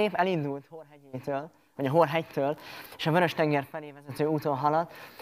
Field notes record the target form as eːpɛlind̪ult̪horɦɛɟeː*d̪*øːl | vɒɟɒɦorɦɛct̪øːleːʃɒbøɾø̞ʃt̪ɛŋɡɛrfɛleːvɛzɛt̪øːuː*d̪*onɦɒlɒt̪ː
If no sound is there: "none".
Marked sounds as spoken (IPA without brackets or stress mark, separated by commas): t̪, t̪